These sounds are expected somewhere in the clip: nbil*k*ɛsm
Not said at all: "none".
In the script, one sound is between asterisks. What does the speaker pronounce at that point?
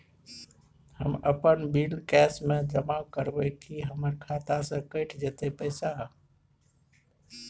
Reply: k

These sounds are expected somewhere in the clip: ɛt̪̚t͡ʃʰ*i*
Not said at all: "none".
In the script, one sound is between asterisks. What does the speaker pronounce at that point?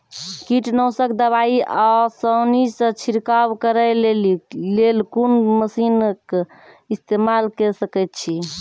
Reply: i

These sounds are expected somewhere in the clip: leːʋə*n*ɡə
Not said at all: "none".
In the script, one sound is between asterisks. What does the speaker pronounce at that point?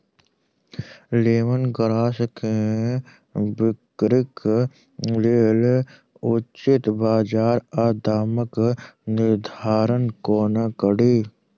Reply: n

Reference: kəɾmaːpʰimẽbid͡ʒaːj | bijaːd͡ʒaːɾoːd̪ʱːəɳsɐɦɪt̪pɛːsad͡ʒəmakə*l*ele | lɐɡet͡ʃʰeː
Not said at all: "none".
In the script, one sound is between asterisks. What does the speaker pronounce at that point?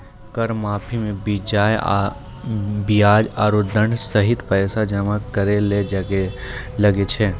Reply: ɾ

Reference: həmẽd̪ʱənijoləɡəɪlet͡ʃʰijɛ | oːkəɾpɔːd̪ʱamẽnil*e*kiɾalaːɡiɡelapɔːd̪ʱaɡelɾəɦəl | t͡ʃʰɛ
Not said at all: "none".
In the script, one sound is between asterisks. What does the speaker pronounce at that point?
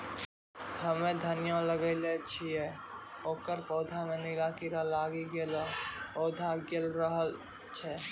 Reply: a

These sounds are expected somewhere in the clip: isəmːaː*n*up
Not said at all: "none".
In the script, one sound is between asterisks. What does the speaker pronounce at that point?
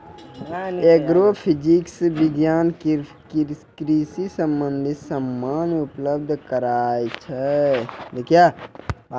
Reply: n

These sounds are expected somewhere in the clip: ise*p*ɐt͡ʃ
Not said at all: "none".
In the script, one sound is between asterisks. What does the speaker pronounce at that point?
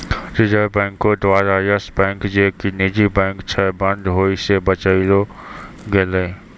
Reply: b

